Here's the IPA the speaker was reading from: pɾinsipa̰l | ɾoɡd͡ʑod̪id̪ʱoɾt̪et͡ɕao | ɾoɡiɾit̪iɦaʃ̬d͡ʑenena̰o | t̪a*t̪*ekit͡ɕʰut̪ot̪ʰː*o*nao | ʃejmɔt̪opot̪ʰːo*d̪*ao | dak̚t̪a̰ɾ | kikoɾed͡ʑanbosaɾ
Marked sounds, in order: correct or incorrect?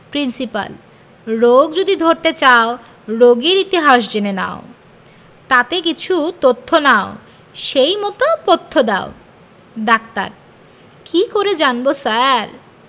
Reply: correct, correct, correct

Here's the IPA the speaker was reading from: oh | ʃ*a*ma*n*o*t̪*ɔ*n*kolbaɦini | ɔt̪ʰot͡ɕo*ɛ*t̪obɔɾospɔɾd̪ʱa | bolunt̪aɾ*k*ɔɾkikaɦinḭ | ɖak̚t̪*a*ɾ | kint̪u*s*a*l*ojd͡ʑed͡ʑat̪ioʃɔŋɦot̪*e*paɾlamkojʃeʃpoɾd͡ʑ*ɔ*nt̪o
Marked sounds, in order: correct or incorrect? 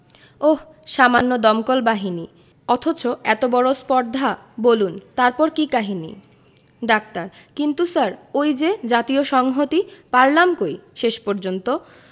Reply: correct, incorrect, incorrect, incorrect, correct, incorrect, correct, correct, incorrect, incorrect, incorrect

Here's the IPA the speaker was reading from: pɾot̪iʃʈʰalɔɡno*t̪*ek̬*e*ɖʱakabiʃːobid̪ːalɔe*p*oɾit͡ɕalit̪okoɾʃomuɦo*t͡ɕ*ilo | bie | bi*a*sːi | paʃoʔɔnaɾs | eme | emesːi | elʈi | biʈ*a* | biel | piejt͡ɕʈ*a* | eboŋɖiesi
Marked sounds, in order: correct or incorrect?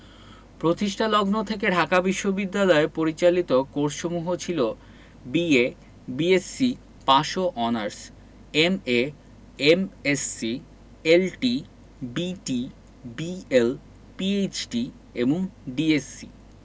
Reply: incorrect, correct, correct, incorrect, incorrect, incorrect, incorrect

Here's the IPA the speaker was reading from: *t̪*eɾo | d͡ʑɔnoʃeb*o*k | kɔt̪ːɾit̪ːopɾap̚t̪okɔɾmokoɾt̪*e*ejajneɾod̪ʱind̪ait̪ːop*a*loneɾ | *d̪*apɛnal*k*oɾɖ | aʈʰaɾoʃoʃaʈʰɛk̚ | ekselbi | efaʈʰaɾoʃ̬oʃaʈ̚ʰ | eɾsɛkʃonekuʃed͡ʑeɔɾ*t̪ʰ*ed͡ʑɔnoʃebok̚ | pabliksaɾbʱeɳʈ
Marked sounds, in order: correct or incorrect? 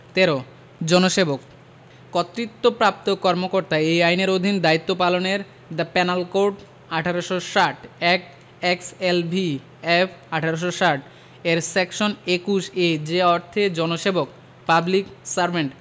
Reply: correct, correct, incorrect, correct, correct, correct, correct

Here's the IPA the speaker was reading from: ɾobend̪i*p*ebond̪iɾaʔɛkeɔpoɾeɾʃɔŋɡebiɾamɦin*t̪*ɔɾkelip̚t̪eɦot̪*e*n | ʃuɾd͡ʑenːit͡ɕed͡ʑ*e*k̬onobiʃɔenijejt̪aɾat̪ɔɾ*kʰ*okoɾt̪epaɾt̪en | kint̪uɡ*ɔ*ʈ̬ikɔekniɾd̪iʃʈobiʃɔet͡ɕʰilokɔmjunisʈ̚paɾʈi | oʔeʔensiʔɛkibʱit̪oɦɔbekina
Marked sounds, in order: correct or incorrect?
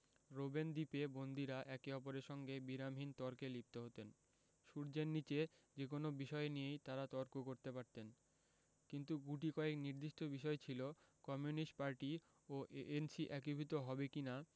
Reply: correct, correct, correct, correct, incorrect, incorrect

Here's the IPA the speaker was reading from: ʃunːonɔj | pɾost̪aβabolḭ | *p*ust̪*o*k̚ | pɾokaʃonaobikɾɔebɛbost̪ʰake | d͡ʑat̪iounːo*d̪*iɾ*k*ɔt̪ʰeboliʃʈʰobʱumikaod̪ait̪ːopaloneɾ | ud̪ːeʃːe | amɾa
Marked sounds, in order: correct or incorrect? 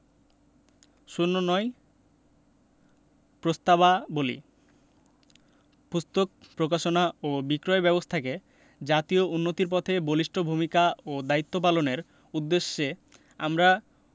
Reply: correct, correct, incorrect, incorrect

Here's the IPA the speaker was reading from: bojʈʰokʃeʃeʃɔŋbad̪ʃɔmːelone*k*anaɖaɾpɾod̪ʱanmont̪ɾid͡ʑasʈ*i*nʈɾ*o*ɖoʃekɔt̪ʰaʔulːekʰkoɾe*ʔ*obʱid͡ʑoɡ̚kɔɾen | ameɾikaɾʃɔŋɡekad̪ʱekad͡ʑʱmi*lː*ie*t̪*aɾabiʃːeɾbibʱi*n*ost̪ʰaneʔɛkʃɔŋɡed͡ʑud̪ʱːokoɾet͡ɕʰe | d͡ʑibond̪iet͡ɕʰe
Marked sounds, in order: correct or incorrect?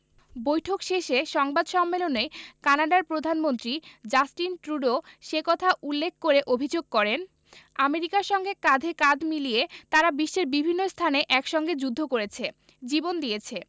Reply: correct, correct, incorrect, correct, incorrect, correct, incorrect

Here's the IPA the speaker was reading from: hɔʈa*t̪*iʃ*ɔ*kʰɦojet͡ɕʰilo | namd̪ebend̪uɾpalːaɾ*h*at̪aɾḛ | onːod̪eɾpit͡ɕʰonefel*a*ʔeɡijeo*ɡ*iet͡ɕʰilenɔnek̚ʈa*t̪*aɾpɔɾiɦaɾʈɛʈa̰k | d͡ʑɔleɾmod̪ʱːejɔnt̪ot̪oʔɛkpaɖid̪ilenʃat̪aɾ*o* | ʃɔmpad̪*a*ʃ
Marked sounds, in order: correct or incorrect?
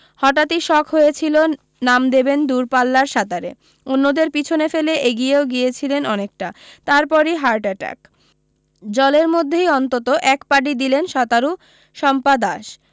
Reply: correct, correct, incorrect, incorrect, correct, correct, incorrect, correct

